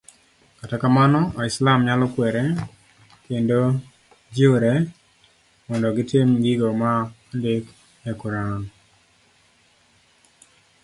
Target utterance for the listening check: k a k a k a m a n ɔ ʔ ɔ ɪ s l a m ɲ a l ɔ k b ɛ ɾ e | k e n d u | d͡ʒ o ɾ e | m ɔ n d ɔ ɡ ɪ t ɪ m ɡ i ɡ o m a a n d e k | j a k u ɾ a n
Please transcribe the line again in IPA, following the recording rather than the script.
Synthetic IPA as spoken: k a t a k a m a n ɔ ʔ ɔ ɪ s l a m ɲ a l ɔ k w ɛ ɾ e | k e n d o | d͡ʒ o ɾ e | m ɔ n d ɔ ɡ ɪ t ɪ m ɡ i ɡ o m a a n d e k | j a k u ɾ a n